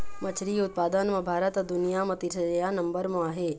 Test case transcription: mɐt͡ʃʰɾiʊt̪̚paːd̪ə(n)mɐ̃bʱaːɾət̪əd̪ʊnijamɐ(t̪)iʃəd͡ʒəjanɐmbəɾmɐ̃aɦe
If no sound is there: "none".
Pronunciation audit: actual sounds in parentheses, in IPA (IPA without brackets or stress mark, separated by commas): n, t̪